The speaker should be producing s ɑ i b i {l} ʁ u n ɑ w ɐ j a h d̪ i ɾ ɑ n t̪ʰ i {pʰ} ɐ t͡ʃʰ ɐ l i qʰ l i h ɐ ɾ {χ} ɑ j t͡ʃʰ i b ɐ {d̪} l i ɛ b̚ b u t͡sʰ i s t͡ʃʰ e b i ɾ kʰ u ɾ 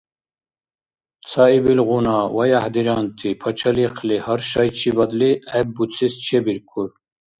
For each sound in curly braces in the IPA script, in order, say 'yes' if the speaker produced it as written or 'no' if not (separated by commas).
yes, yes, no, yes